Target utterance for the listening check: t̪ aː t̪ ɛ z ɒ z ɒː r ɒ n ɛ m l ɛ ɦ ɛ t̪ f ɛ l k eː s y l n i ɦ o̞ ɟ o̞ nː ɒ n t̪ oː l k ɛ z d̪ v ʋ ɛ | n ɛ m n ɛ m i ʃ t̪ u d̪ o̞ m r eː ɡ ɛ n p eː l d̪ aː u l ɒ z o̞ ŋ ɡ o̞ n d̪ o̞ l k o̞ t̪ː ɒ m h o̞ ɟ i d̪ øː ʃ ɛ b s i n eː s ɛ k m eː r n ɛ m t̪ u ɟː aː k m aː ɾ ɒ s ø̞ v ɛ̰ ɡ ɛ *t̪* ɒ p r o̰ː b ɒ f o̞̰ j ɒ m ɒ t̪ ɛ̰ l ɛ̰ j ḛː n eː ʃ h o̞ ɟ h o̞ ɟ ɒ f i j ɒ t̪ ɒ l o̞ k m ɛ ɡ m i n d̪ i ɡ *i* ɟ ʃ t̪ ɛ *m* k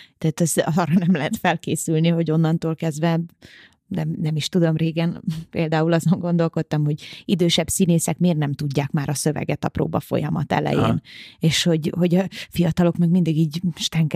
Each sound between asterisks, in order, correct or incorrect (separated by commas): correct, incorrect, incorrect